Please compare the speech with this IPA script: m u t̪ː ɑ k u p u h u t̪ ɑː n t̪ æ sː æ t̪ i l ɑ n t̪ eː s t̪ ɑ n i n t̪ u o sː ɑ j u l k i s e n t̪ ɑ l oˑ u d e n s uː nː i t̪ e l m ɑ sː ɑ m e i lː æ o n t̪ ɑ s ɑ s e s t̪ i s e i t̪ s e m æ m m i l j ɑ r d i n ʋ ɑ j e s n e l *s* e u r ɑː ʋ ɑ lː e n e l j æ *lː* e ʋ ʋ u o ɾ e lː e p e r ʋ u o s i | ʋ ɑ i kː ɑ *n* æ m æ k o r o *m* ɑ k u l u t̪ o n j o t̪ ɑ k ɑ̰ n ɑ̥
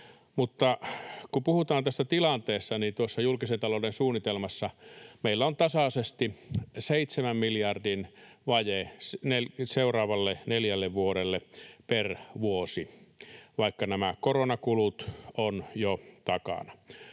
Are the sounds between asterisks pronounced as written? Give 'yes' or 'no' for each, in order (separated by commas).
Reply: yes, yes, yes, no